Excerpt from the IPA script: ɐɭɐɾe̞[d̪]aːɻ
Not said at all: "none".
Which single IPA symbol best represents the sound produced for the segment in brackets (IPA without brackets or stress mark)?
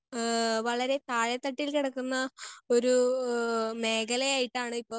t̪